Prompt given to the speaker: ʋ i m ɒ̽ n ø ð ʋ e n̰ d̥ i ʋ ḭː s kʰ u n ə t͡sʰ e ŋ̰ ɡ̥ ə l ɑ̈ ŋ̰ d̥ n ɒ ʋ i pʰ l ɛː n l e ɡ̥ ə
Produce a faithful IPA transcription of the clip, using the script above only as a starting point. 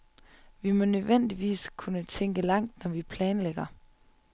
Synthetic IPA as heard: ʋ i m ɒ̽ n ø ð ʋ e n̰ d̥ i ʋ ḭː s kʰ u n ə t͡sʰ e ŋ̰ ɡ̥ ə l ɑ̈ ŋ̰ d̥ n ɒ ʋ i pʰ l ɛː n l e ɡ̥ ɐ